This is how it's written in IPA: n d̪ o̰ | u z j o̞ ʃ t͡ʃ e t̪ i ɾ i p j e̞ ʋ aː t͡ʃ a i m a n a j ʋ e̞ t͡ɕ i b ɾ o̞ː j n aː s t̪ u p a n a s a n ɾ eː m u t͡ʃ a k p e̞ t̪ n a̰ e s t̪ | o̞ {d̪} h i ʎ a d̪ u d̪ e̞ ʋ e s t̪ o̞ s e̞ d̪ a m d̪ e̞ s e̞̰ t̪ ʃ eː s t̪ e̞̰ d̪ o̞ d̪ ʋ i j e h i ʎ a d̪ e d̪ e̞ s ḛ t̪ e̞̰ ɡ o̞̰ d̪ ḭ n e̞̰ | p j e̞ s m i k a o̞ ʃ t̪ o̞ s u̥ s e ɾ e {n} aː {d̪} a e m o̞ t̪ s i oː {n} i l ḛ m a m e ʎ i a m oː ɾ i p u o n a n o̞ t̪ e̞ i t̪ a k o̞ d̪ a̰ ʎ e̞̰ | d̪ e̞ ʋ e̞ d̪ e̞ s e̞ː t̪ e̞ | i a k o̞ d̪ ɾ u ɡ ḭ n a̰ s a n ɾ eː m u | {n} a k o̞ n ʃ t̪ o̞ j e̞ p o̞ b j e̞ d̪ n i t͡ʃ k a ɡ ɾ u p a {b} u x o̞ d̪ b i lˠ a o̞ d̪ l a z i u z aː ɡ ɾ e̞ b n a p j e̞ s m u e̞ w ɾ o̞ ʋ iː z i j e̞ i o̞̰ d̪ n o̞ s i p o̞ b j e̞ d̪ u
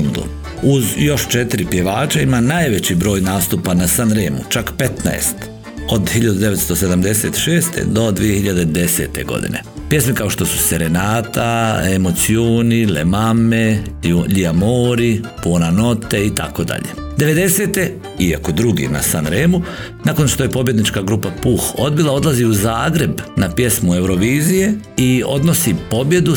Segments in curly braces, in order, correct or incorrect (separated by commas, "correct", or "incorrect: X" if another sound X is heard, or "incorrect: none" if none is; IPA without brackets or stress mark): correct, correct, incorrect: t̪, correct, correct, incorrect: p